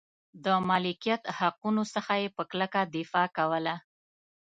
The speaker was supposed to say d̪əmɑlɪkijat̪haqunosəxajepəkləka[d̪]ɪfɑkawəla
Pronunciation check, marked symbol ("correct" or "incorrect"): correct